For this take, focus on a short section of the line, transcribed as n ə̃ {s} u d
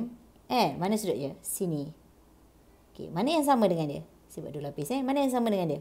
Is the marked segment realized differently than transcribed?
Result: no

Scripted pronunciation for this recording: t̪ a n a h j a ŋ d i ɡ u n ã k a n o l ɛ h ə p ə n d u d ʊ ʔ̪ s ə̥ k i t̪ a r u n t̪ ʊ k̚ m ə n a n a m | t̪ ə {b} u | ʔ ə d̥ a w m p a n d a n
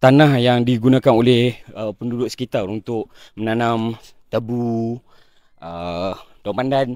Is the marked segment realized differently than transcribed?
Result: no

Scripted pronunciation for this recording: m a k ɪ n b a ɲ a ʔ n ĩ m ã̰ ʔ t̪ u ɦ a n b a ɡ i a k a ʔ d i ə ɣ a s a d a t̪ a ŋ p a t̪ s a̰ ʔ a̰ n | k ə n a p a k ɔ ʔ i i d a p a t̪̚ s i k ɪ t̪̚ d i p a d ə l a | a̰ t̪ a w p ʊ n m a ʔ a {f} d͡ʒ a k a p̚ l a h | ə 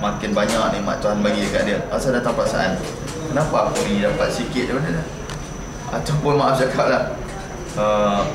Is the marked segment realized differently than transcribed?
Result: no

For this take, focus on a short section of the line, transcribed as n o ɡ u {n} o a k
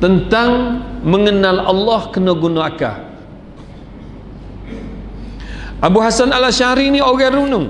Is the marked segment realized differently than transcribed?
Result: no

